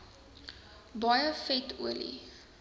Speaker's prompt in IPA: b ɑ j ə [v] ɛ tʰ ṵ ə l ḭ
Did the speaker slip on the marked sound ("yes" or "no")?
yes